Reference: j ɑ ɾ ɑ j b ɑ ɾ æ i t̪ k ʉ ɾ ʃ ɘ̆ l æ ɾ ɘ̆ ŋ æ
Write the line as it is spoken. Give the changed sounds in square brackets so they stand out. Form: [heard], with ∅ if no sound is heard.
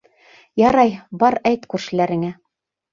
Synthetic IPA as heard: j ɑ ɾ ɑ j b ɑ ɾ æ [j] t̪ k ʉ ɾ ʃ ɘ̆ l æ ɾ ɘ̆ ŋ æ